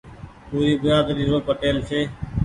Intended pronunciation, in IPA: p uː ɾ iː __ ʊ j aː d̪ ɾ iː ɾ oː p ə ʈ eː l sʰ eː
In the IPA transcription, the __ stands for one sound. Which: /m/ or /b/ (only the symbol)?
b